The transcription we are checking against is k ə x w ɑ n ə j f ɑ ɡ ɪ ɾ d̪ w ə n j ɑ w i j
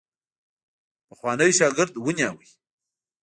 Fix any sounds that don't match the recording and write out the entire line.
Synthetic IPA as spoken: p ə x w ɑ n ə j ʃ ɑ ɡ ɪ ɾ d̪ w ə n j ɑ w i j